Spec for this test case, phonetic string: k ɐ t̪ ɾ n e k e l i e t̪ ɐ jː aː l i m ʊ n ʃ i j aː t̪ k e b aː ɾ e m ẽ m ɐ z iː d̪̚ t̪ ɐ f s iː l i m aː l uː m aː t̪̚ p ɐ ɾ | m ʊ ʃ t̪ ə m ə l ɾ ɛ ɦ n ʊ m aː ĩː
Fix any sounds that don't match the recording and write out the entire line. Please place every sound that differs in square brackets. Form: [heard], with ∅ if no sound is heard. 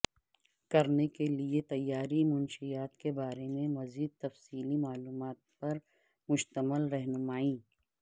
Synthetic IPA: k ɐ [∅] ɾ n e k e l i e t̪ ɐ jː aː [ɾ] i m ʊ n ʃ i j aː t̪ k e b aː ɾ e m ẽ m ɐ z iː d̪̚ t̪ ɐ f s iː l i m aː l uː m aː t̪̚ p ɐ ɾ | m ʊ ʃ t̪ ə m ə l ɾ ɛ ɦ n ʊ m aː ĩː